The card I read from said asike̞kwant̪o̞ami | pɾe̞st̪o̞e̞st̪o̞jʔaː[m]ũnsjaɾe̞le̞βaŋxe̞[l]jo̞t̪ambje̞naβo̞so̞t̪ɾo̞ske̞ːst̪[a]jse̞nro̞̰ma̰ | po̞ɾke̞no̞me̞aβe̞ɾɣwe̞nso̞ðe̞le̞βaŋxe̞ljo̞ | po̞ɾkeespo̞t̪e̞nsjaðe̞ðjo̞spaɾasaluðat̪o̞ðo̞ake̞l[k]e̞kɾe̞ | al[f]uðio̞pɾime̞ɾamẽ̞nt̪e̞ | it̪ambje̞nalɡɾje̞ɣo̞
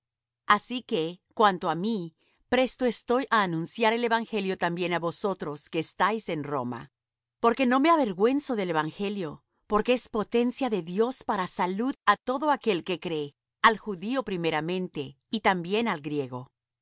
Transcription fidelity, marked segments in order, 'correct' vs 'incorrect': incorrect: n, correct, correct, correct, incorrect: x

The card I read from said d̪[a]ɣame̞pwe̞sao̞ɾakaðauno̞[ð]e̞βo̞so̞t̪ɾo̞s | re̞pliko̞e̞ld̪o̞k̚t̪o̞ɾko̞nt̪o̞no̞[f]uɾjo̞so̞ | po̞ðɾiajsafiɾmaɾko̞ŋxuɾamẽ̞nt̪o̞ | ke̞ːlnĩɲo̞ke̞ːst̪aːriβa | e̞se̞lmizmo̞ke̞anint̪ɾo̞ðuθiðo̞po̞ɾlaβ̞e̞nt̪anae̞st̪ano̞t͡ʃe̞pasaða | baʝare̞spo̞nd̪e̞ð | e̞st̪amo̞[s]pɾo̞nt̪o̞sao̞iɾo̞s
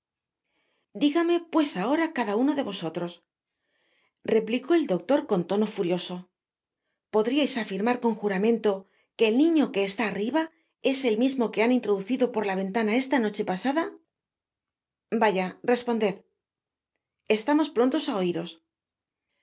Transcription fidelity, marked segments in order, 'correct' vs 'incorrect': incorrect: i, correct, correct, correct

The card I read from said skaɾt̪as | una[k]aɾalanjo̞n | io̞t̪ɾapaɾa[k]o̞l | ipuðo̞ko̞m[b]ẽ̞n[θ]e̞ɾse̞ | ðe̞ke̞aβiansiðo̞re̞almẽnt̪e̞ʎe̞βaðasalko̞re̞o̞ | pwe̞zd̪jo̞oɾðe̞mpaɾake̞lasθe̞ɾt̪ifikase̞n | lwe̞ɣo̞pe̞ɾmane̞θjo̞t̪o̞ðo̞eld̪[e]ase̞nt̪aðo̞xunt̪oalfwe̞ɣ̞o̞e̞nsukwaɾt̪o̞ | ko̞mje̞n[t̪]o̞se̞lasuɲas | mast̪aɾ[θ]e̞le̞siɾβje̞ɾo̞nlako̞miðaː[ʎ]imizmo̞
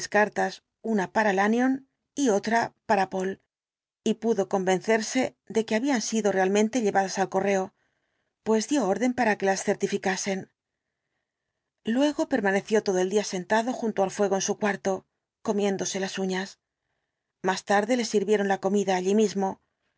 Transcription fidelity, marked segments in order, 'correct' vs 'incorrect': incorrect: p, incorrect: p, correct, correct, incorrect: i, incorrect: d̪, incorrect: ð, correct

